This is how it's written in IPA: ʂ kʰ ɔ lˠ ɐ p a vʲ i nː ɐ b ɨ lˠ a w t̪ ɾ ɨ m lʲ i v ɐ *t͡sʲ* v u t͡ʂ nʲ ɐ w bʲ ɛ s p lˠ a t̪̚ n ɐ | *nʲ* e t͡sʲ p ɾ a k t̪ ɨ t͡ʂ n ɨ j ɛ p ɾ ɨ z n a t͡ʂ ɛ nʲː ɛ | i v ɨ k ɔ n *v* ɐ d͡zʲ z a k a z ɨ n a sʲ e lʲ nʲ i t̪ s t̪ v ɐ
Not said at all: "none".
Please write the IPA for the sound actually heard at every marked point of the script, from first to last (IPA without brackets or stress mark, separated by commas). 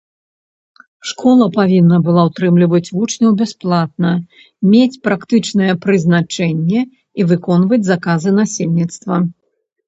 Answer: t͡sʲ, mʲ, v